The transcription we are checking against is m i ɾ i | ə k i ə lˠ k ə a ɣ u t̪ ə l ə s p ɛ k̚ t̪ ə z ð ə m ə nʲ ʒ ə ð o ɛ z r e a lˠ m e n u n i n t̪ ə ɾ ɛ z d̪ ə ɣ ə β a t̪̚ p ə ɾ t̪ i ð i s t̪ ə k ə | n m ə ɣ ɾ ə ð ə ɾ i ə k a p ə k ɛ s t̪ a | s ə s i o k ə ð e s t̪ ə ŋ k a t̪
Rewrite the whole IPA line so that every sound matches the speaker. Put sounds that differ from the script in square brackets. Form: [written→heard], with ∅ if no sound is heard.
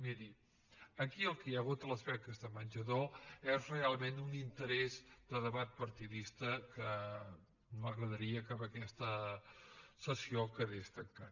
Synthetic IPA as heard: m i ɾ i | ə k i ə lˠ k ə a ɣ u t̪ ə l ə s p ɛ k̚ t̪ ə z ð ə m ə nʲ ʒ ə ð o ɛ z r e a lˠ m e n u n i n t̪ ə ɾ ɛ z d̪ ə [ɣ→ð] ə β a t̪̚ p ə ɾ t̪ i ð i s t̪ ə k ə | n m ə ɣ ɾ ə ð ə ɾ i ə k a p ə k ɛ s t̪ [a→ə] | s ə s i o k ə ð e s t̪ ə ŋ k a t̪